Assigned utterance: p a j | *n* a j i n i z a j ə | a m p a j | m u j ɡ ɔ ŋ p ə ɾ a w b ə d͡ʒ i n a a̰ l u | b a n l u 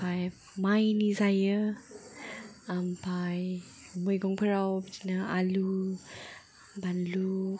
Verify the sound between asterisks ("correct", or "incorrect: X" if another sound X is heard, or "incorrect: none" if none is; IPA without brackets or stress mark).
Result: incorrect: m